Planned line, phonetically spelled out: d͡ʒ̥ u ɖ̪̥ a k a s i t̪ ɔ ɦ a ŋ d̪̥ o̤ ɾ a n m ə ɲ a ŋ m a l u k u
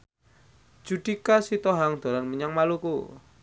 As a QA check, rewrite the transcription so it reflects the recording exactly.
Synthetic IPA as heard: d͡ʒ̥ u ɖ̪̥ i k a s i t̪ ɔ ɦ a ŋ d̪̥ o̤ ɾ a n m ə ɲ a ŋ m a l u k u